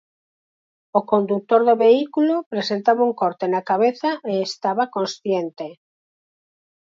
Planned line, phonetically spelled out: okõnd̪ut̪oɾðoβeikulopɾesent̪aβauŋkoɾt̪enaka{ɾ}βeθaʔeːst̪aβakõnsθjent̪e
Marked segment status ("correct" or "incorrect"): incorrect